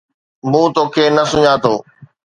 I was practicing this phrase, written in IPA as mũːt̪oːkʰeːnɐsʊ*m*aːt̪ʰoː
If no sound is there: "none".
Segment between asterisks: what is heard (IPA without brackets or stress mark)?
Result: ɲ